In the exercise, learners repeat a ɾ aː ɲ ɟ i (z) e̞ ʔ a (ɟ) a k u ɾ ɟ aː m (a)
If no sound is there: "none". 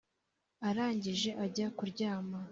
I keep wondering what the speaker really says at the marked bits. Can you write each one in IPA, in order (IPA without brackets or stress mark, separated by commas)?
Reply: ʒ, ɟ, a